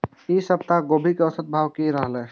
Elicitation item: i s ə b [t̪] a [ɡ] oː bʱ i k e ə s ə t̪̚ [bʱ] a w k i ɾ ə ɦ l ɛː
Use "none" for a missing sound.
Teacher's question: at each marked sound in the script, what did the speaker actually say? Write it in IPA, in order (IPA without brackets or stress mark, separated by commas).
t̪, ɡ, bʱ